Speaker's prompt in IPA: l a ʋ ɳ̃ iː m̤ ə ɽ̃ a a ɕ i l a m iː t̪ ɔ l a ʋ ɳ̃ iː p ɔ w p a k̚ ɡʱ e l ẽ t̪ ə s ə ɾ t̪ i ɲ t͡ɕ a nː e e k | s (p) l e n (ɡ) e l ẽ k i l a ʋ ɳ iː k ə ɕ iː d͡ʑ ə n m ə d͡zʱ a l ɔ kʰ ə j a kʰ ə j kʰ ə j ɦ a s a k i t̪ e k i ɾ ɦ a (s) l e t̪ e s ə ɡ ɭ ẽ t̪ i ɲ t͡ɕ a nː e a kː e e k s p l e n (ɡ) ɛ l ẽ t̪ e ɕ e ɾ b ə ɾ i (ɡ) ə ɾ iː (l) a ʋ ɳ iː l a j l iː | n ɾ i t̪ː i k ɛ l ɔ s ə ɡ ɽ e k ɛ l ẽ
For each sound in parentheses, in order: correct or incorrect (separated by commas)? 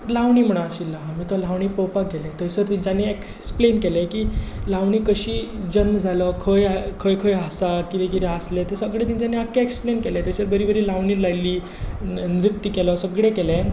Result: correct, incorrect, correct, incorrect, incorrect, correct